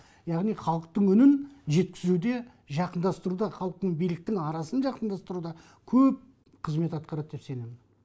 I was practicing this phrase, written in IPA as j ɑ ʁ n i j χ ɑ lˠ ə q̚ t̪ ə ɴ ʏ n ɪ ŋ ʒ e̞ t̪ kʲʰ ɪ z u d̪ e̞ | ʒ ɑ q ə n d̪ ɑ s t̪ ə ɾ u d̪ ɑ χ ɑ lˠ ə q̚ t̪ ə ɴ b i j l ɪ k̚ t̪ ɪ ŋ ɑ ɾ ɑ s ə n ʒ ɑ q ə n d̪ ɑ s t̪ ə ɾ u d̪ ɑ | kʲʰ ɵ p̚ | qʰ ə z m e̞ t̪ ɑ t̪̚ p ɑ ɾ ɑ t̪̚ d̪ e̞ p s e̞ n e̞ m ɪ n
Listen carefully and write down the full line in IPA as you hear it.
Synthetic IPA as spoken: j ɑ ʁ n i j χ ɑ lˠ ə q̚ t̪ ə ɴ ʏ n ɪ n ʒ e̞ t̪ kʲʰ ɪ z u d̪ e̞ | ʒ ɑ q ə n d̪ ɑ s t̪ ə ɾ u d̪ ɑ χ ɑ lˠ ə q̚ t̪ ə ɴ b i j l ɪ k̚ t̪ ɪ ŋ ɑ ɾ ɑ s ə n ʒ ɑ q ə n d̪ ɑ s t̪ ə ɾ u d̪ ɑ | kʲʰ ɵ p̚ | qʰ ə z m e̞ t̪ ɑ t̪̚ q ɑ ɾ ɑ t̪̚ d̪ e̞ p s e̞ n e̞ m ɪ n